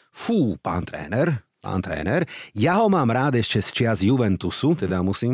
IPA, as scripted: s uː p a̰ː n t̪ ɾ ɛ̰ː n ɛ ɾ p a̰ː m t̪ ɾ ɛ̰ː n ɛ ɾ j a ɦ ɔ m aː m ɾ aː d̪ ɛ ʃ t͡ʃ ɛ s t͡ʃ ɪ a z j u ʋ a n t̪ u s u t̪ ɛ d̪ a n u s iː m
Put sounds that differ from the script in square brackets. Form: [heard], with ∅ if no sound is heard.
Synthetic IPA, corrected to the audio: [f] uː p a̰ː n t̪ ɾ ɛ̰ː n ɛ ɾ p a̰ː [n] t̪ ɾ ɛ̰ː n ɛ ɾ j a ɦ ɔ m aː m ɾ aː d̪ ɛ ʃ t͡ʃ ɛ s t͡ʃ ɪ a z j u ʋ [ɛ] n t̪ u s u t̪ ɛ d̪ a [m] u s iː m